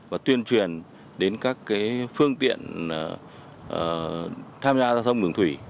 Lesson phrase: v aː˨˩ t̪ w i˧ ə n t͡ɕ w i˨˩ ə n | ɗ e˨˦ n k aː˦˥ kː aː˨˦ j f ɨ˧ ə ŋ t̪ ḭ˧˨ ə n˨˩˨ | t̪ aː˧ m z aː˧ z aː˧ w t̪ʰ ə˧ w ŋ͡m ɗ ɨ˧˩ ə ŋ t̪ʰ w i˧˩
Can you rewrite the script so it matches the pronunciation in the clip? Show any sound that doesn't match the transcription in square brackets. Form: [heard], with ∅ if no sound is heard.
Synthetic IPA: v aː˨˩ t̪ w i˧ ə n t͡ɕ w i˨˩ ə n | ɗ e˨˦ n k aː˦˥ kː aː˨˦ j f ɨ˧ ə ŋ t̪ ḭ˧˨ ə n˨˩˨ | [t̪ʰ] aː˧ m z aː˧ z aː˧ w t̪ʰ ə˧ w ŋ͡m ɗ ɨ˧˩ ə ŋ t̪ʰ w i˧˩